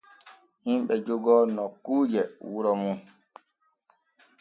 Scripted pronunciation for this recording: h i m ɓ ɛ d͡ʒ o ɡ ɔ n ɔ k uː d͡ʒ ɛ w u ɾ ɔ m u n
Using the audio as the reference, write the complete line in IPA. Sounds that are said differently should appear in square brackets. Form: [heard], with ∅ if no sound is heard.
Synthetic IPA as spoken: h i m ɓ ɛ d͡ʒ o ɡ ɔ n ɔ k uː d͡ʒ ɛ w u ɾ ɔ m u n